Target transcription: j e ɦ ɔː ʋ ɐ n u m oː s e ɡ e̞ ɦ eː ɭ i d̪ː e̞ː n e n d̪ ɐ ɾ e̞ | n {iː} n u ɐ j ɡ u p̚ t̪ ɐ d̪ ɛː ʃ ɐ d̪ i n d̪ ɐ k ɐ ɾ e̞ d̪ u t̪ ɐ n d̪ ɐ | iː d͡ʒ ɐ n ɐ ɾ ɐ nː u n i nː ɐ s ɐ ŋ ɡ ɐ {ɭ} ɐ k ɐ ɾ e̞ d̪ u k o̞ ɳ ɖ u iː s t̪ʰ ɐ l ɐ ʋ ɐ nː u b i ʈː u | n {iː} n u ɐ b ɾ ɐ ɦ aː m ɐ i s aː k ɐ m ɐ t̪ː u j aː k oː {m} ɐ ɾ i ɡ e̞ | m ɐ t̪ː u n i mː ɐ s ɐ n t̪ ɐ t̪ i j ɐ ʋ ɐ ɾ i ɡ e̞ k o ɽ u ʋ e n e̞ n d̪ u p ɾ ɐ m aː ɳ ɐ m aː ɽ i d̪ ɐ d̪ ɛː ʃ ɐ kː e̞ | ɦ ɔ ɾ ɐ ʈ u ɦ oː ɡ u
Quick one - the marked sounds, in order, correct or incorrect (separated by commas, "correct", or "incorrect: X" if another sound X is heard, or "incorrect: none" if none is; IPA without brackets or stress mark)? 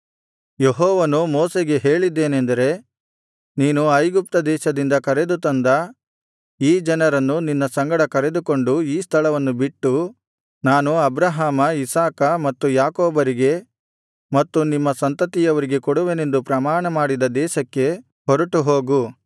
correct, incorrect: ɽ, incorrect: aː, incorrect: b